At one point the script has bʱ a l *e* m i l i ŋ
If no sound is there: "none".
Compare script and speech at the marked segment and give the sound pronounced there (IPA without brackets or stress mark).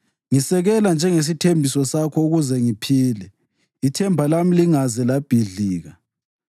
a